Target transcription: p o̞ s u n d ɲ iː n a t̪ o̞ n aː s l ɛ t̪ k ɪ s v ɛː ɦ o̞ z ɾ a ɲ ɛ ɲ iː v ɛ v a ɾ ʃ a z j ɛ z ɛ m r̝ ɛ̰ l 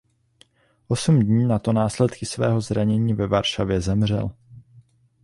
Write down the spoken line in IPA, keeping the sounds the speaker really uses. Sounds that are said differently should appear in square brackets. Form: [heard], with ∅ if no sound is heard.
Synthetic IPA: [ʔ] o̞ s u [m] d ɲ iː n a t̪ o̞ n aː s l ɛ t̪ k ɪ s v ɛː ɦ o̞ z ɾ a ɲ ɛ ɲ iː v ɛ v a ɾ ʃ a [v] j ɛ z ɛ m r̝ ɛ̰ l